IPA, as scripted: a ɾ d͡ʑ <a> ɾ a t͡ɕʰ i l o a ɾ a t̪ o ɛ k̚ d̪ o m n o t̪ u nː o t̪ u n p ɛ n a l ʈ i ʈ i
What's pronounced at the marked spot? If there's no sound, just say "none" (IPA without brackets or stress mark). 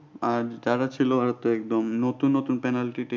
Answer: a